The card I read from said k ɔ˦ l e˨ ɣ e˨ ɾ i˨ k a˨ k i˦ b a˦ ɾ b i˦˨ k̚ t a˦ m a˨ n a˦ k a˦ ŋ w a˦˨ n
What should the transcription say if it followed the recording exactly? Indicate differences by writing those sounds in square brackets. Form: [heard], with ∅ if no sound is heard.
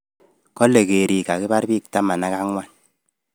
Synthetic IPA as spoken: k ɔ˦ l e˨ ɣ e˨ ɾ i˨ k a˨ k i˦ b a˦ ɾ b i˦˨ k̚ t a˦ m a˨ n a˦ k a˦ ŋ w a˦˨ n